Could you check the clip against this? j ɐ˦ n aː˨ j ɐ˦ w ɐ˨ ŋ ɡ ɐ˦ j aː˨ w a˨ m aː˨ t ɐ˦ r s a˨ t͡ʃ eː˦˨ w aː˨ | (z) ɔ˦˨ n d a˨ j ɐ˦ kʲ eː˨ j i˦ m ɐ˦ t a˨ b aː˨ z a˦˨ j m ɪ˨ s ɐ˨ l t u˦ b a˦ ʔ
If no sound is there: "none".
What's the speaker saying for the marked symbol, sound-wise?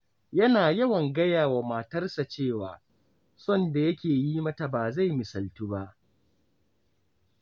s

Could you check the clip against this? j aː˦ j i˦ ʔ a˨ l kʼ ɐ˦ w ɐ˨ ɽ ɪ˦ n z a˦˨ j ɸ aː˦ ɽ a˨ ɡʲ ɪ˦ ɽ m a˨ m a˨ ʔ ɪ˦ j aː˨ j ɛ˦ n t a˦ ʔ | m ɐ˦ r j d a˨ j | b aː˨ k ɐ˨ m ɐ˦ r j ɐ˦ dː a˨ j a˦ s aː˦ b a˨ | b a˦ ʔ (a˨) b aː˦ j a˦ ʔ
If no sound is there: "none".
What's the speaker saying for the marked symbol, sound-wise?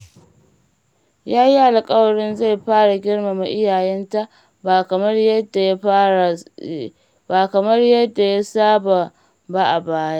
a˨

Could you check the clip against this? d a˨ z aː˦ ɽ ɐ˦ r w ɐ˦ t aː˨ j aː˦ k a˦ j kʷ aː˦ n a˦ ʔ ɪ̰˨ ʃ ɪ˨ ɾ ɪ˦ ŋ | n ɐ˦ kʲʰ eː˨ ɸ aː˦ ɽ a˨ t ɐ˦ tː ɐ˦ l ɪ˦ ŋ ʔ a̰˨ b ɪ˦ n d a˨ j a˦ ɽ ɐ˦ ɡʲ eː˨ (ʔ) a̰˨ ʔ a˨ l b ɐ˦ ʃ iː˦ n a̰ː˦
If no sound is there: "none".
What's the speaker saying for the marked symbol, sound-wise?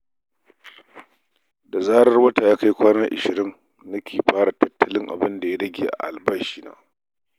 ʔ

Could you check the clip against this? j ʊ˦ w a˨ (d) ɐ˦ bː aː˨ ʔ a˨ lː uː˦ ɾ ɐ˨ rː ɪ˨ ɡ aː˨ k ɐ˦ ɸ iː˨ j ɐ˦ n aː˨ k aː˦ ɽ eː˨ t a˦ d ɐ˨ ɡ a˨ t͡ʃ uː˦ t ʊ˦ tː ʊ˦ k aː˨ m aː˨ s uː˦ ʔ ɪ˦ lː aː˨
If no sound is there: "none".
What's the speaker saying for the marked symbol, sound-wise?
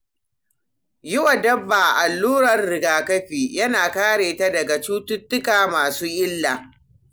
d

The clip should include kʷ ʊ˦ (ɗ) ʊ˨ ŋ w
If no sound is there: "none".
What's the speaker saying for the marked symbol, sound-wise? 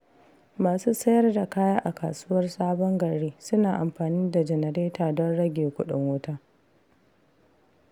ɗ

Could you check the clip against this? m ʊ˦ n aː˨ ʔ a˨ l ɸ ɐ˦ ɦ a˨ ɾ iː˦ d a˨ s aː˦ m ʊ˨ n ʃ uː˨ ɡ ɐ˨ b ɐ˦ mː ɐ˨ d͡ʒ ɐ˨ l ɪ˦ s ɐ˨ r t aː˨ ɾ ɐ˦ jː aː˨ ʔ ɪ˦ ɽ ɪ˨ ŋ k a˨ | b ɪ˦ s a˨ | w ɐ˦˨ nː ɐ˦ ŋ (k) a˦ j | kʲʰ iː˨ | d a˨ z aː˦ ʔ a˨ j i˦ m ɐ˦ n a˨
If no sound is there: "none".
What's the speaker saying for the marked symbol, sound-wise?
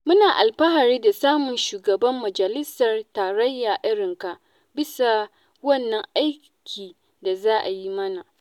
ʔ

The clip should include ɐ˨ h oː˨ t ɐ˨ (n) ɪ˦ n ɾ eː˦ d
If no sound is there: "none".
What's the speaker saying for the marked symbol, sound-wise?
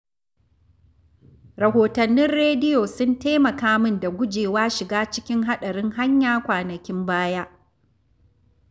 nː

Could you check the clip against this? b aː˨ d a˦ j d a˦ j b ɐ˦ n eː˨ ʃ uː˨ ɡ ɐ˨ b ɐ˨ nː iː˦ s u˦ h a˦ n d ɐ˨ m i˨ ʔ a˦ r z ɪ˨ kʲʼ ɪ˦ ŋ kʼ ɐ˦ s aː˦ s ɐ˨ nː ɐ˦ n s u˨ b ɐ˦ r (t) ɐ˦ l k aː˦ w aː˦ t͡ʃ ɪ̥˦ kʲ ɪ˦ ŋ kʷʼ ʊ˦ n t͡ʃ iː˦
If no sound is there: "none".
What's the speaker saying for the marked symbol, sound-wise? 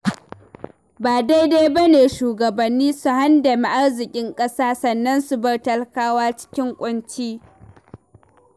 t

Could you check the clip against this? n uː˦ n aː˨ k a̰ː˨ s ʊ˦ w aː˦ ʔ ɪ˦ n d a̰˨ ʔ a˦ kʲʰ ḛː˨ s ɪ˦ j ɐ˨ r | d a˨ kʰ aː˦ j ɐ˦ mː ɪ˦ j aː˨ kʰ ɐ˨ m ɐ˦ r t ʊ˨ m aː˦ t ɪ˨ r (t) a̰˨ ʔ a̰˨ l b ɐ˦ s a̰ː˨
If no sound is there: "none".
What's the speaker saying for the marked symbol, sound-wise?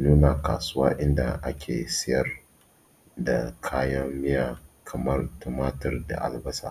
d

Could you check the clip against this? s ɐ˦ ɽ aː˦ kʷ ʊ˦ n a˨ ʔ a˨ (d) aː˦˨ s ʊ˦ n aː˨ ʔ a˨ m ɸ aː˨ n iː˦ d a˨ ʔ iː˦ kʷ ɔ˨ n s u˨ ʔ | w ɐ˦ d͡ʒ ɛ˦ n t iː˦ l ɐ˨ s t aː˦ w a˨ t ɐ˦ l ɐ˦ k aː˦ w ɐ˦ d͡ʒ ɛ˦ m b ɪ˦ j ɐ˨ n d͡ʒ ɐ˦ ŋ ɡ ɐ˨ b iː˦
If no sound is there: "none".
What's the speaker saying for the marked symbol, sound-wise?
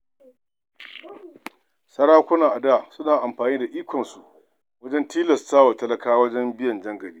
d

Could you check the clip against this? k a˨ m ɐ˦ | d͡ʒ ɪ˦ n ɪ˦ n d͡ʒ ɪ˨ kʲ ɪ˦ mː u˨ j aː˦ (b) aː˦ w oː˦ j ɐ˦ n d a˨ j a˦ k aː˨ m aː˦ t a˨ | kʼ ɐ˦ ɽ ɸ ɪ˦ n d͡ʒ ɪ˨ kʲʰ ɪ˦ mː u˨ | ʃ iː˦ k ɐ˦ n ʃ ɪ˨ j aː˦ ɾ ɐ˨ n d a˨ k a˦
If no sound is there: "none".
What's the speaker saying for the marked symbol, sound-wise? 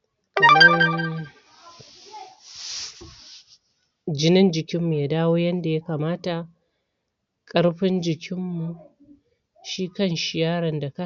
d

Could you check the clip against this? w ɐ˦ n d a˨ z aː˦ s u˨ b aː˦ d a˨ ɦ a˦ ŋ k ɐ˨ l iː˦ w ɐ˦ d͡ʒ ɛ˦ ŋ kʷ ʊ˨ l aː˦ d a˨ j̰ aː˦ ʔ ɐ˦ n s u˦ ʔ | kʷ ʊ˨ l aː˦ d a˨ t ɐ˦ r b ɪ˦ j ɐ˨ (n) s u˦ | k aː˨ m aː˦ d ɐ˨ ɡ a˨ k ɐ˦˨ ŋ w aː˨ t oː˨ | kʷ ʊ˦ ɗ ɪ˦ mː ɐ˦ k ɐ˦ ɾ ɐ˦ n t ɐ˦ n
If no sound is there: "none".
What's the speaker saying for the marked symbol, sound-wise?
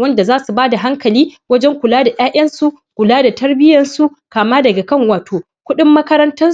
n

